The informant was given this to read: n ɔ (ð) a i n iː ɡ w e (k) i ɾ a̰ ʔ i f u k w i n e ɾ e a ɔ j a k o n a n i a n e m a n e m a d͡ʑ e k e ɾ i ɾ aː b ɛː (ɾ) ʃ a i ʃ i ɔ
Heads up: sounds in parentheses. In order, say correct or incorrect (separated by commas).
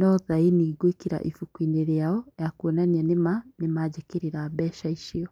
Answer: correct, correct, incorrect